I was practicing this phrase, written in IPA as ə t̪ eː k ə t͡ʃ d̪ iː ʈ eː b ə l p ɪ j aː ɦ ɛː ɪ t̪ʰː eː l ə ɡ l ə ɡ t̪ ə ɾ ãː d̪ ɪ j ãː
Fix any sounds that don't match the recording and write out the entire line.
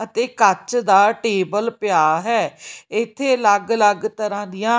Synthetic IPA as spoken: ə t̪ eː k ə t͡ʃ d̪ aː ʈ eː b ə l p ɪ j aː ɦ ɛː ɪ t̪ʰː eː l ə ɡ l ə ɡ t̪ ə ɾ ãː d̪ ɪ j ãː

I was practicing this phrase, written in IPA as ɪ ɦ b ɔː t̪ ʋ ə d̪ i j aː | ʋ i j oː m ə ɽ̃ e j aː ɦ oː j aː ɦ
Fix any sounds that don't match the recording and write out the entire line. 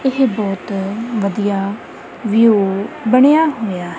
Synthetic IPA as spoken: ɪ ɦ b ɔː t̪ ʋ ə d̪ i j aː | ʋ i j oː b ə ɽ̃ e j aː ɦ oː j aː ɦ

